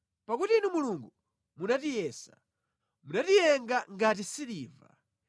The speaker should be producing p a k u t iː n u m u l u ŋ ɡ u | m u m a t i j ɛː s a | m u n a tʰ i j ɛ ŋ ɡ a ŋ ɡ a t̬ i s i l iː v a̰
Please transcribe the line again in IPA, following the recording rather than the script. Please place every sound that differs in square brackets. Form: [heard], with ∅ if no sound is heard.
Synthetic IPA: p a k u t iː n u m u l u ŋ ɡ u | m u [n] a t i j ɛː s a | m u n a [t] i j ɛ ŋ ɡ a ŋ ɡ a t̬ i s i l iː v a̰